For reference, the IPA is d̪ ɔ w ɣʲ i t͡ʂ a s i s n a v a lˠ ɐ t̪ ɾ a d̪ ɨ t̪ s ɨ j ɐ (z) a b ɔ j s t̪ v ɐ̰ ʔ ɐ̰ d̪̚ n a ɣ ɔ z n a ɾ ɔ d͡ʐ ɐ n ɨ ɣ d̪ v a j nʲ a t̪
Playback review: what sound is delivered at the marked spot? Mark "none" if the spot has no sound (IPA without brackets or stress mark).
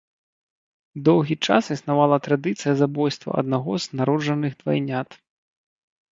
z